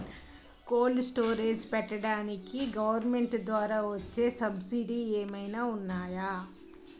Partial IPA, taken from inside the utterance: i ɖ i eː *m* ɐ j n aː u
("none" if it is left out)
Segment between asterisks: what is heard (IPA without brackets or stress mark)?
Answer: m